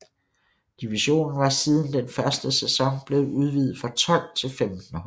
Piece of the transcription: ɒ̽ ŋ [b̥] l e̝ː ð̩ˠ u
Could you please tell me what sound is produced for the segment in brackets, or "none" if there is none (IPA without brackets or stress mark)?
b̥